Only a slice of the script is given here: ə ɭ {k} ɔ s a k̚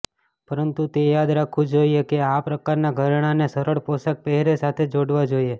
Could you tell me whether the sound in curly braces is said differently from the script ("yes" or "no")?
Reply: yes